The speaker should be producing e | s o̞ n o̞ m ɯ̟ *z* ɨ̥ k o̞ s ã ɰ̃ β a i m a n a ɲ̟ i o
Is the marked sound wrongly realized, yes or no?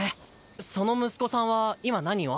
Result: yes